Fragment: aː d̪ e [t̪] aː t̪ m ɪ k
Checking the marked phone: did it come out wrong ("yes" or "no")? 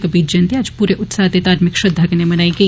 no